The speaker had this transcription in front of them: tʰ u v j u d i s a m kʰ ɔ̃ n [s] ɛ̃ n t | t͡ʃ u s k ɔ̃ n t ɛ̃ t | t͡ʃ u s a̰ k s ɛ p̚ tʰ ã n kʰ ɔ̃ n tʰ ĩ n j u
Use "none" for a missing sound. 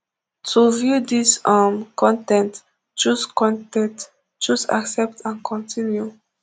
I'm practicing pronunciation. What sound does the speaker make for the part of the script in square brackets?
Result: t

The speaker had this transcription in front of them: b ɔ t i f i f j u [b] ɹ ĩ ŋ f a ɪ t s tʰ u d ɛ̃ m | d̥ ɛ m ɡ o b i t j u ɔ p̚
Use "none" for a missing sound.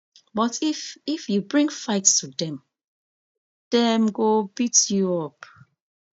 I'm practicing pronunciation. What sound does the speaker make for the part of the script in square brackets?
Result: b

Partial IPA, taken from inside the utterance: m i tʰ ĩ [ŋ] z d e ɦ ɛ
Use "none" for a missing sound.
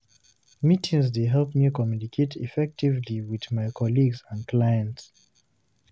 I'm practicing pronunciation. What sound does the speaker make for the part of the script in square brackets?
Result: ŋ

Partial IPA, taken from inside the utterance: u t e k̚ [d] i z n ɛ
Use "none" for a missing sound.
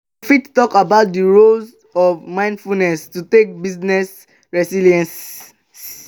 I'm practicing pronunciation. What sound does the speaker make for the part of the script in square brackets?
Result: b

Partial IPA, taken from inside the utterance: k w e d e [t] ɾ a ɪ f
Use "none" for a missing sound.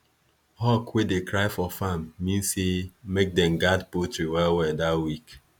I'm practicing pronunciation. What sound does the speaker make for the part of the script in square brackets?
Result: k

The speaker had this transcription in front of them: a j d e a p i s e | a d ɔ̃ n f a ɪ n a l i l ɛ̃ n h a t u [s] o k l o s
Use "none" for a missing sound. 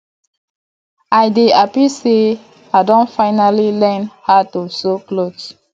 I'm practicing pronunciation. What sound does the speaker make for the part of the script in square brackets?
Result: s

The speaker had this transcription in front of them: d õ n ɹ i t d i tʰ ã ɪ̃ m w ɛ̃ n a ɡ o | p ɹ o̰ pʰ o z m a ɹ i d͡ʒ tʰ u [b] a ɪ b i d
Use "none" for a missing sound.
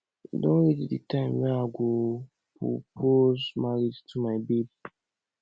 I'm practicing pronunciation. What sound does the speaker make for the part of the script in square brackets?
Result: m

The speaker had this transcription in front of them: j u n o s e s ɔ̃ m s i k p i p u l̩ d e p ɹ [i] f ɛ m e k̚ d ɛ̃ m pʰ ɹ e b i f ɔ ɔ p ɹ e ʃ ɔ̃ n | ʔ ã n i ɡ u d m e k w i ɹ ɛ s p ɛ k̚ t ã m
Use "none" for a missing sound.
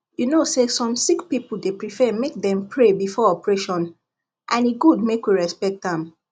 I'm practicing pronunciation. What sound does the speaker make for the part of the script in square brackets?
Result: i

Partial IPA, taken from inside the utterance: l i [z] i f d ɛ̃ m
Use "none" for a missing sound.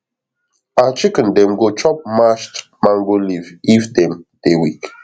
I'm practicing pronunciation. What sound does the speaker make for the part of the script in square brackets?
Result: v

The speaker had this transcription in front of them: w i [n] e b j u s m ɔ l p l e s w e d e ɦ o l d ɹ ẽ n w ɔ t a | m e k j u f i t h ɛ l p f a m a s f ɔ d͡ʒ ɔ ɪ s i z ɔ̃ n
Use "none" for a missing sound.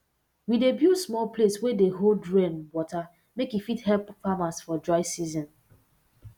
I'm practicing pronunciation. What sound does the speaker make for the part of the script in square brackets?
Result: d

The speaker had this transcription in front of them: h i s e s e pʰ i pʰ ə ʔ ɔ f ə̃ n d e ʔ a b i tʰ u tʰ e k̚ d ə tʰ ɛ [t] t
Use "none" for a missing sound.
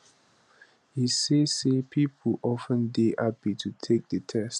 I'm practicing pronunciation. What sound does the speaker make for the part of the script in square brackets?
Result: s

